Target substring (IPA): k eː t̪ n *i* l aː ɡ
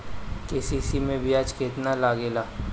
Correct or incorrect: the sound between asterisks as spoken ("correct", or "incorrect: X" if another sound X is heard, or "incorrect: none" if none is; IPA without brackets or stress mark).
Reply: incorrect: a